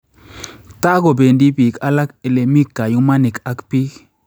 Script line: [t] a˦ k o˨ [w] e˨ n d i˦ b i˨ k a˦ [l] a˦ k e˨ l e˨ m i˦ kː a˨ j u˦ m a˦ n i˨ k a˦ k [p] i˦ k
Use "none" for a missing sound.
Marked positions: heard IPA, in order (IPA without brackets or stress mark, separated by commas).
t, b, l, p